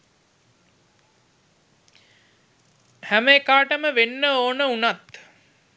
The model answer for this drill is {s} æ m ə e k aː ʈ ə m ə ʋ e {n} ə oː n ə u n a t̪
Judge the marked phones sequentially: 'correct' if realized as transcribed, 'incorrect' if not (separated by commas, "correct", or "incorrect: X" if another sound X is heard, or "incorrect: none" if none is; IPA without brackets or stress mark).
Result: incorrect: h, incorrect: nː